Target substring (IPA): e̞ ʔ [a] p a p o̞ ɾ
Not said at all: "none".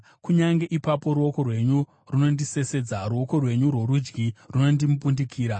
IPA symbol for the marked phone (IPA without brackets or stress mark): i